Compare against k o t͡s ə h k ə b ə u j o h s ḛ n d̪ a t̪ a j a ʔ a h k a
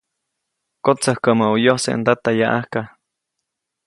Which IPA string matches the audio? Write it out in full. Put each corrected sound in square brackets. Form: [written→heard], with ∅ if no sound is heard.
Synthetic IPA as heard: k o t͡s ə h k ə [b→m] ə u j o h s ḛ n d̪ a t̪ a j a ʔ a h k a